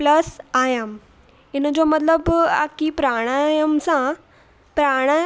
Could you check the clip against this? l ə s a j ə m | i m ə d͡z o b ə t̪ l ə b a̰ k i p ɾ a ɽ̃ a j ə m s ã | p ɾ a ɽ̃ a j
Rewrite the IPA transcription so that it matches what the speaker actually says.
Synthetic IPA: l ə s a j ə m | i n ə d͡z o m ə t̪ l ə b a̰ k i p ɾ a ɽ̃ a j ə m s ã | p ɾ a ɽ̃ a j